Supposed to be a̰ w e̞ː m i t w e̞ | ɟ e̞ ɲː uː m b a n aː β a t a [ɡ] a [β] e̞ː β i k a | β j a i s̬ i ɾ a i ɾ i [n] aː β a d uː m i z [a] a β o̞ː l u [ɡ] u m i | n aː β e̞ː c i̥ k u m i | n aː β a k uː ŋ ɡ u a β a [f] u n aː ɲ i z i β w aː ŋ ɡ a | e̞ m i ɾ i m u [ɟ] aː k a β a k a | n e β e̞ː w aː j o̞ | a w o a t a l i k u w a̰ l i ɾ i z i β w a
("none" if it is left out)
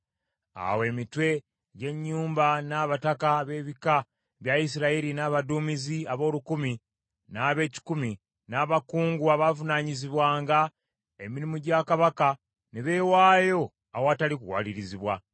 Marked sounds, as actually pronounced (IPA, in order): k, β, n, i, k, v, ɟ

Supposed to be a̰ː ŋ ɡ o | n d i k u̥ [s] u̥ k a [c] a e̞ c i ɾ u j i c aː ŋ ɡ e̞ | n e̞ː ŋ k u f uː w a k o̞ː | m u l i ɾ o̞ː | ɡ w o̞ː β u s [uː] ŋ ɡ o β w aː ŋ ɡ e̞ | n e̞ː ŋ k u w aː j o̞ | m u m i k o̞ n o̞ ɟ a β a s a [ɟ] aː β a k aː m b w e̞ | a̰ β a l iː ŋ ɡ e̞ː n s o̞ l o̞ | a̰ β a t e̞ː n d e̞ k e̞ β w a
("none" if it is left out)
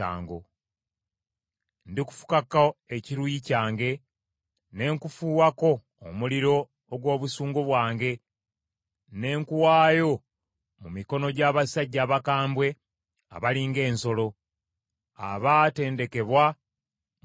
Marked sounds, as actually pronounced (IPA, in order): f, k, uː, ɟː

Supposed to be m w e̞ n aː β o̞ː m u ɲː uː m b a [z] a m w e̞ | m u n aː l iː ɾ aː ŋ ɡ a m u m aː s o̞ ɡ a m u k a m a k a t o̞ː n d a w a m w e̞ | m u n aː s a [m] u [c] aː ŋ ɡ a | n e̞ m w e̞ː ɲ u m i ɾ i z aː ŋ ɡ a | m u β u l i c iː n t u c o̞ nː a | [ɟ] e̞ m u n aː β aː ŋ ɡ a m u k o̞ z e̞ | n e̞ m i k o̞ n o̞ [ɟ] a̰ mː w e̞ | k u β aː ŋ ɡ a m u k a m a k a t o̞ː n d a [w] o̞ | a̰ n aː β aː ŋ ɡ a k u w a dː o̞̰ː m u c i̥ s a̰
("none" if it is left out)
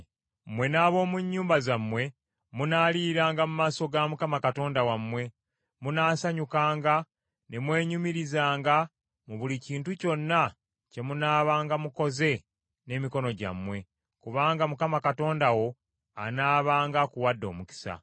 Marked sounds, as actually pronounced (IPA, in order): z, ɲ, k, c, ɟ, w

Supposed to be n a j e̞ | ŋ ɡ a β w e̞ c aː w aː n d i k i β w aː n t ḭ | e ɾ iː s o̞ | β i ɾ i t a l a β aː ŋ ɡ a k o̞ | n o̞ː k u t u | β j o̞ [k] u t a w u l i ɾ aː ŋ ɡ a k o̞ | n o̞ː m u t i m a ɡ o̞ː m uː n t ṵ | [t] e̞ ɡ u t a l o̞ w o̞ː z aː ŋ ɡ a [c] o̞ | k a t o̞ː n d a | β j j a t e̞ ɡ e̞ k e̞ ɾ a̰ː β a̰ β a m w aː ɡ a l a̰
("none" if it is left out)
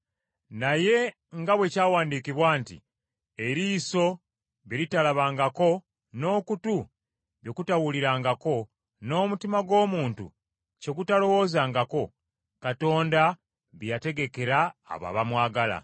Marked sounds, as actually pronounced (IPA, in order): k, c, k

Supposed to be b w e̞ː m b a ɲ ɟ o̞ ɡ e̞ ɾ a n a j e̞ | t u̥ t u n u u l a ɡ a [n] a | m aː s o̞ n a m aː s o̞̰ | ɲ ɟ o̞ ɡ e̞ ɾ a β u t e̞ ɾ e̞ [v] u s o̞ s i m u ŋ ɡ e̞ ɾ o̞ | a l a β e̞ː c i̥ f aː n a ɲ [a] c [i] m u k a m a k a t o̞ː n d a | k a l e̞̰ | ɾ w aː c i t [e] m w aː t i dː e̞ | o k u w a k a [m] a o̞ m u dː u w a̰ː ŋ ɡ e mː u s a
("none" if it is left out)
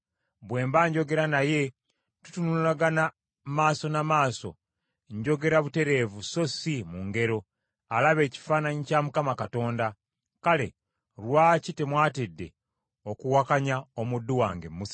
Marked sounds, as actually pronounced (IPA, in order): n, v, i, a, e, ɲ

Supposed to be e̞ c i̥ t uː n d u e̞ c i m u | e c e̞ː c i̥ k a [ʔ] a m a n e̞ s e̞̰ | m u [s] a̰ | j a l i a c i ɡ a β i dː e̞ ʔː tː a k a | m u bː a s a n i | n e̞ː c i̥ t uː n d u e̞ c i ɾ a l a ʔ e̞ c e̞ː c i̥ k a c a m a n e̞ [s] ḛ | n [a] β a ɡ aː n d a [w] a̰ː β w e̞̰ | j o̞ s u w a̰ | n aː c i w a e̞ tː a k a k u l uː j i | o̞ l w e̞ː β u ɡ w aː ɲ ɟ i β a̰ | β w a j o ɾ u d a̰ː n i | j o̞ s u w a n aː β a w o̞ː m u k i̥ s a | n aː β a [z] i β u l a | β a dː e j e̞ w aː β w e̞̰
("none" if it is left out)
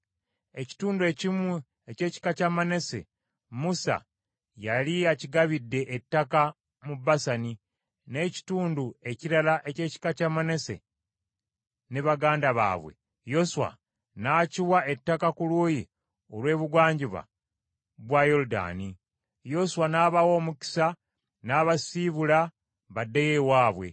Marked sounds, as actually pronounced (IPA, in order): c, s, s, e, β, s

